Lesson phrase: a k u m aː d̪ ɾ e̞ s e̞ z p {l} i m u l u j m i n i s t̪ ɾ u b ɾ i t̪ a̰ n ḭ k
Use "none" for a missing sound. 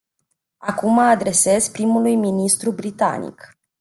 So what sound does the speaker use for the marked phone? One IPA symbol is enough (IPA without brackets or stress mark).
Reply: ɾ